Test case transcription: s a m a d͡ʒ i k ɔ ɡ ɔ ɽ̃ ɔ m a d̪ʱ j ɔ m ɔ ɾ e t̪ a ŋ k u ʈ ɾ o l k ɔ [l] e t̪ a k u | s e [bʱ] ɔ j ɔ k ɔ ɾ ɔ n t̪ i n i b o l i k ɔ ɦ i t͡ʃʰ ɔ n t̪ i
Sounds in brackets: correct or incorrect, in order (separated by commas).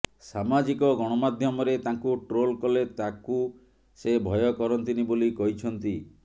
correct, correct